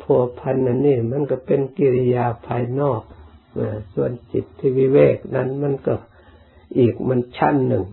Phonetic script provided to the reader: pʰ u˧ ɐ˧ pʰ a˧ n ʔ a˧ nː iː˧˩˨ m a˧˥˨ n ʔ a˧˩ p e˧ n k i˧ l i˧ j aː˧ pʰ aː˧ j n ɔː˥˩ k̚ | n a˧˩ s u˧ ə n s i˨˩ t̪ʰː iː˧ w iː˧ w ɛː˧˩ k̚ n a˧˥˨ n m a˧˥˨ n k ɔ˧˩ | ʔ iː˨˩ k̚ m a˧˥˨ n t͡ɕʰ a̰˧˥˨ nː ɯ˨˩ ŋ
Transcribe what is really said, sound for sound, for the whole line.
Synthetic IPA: pʰ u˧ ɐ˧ pʰ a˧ n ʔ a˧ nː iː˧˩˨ m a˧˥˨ n k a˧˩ p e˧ n k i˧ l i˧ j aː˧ pʰ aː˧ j n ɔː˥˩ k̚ | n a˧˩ s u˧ ə n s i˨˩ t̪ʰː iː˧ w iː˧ w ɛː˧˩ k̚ n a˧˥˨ n m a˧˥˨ n k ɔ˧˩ | ʔ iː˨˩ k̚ m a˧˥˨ n t͡ɕʰ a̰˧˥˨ nː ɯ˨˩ ŋ